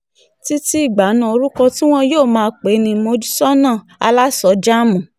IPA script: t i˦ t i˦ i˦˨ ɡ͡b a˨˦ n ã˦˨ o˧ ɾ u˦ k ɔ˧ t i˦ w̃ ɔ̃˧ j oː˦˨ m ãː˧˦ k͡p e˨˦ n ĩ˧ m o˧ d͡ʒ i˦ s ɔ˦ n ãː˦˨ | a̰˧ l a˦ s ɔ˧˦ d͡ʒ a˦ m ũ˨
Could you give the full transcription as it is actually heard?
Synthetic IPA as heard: t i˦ t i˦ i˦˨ ɡ͡b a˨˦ n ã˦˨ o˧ ɾ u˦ k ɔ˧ t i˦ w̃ ɔ̃˧ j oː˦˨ m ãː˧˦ k͡p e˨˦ n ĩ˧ m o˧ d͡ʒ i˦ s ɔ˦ n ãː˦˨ | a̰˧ l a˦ s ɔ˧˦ d͡ʒ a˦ m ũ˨